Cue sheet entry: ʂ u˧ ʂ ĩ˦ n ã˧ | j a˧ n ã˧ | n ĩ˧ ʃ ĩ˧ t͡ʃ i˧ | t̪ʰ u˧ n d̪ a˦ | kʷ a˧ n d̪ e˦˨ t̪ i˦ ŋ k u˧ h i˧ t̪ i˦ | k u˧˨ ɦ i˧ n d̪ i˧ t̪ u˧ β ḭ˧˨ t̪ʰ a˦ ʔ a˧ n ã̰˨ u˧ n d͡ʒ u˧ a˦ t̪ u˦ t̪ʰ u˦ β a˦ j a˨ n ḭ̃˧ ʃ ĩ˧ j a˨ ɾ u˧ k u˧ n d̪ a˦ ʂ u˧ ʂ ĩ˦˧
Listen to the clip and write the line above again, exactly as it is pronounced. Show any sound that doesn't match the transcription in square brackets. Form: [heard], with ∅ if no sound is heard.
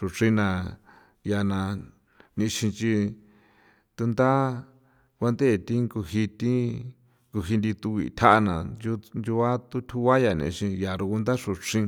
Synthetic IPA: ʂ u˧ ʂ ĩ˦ n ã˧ | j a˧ n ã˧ | n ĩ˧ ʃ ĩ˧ t͡ʃ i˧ | [t̪] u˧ n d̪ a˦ | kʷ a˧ n d̪ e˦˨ t̪ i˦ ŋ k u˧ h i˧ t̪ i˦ | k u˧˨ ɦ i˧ n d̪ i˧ t̪ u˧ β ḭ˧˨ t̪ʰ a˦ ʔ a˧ n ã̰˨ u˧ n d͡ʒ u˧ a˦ t̪ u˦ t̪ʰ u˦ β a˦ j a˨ n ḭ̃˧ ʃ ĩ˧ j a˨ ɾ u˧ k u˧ n d̪ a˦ ʂ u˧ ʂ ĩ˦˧